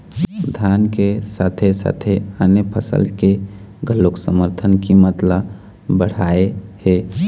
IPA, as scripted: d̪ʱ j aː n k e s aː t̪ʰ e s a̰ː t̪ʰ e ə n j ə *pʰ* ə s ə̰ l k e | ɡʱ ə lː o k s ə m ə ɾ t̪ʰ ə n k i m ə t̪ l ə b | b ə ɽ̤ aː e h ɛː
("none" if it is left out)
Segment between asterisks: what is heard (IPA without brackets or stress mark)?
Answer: pʰ